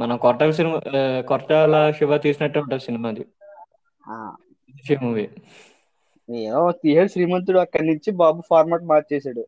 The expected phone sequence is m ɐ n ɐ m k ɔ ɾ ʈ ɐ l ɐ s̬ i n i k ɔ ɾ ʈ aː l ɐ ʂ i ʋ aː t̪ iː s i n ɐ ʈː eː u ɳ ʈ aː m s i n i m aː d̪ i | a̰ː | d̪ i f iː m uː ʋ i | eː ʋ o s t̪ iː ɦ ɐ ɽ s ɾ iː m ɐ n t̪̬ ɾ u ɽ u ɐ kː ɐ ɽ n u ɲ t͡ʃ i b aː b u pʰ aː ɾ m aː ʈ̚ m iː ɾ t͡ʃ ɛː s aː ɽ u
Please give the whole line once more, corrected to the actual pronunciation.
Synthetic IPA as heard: m ɐ n ɐ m k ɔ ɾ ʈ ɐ l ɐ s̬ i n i k ɔ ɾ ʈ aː l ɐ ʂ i ʋ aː t̪ iː s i n ɐ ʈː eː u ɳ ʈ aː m s i n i m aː d̪ i | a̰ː | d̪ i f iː m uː ʋ i | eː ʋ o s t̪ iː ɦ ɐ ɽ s ɾ iː m ɐ n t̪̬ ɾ u ɽ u ɐ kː ɐ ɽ n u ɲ t͡ʃ i b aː b u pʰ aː ɾ m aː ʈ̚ m aː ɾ t͡ʃ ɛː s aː ɽ u